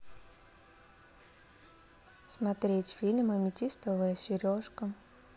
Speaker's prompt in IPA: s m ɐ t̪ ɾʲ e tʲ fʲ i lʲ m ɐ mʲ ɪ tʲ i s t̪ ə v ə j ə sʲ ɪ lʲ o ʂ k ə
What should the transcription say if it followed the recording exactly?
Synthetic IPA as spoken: s m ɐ t̪ ɾʲ e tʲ fʲ i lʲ m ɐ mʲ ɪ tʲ i s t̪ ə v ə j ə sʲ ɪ ɾʲ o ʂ k ə